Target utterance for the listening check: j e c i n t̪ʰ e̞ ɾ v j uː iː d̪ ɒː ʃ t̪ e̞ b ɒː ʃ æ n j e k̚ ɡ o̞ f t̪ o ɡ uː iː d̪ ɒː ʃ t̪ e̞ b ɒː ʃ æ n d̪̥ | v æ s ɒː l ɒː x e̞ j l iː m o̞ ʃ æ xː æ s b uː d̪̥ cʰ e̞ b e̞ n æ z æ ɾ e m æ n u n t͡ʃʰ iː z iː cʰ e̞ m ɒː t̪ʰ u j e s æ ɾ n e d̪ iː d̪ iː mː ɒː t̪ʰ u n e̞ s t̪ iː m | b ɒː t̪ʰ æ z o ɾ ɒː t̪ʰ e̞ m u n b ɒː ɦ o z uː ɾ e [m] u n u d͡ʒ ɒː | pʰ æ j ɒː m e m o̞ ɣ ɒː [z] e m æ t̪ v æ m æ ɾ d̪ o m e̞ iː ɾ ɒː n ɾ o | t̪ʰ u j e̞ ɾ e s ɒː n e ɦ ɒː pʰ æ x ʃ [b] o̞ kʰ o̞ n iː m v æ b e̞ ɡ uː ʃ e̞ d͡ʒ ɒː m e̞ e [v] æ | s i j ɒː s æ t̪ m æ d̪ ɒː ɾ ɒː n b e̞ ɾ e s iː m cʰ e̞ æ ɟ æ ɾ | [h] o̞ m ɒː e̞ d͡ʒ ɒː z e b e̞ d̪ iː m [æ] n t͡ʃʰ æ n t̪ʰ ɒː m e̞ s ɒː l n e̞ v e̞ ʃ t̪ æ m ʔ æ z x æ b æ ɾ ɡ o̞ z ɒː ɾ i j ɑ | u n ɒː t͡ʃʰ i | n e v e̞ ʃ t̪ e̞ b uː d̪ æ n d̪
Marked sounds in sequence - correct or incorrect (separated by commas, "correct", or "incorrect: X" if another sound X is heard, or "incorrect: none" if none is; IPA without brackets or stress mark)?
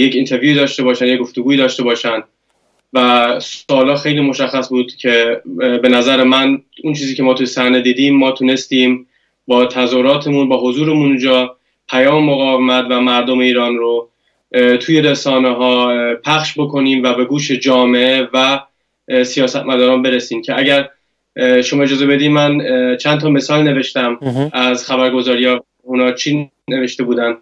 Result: correct, incorrect: v, correct, correct, incorrect: ʃ, correct